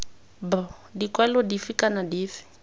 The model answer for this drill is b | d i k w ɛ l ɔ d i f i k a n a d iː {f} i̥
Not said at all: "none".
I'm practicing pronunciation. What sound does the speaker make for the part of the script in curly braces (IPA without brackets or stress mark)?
f